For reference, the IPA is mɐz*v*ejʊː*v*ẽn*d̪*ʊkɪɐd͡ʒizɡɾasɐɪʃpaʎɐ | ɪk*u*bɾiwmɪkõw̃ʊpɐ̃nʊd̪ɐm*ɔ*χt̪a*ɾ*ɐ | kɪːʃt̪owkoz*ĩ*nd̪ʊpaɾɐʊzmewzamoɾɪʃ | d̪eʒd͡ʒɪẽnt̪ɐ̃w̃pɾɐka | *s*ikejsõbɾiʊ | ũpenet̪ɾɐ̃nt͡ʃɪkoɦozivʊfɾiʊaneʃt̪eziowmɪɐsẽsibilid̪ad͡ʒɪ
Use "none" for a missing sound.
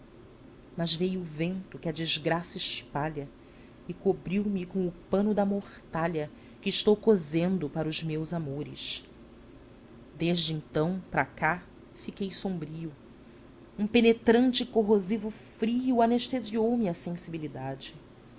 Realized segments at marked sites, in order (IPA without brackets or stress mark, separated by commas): v, v, t̪, o, o, ʎ, ẽ, f